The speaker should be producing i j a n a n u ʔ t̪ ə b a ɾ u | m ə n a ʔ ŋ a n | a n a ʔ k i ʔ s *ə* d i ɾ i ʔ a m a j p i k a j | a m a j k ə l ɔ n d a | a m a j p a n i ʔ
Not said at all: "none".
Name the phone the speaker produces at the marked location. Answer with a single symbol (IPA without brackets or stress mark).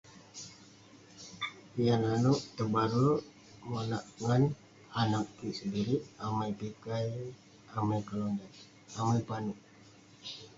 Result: ə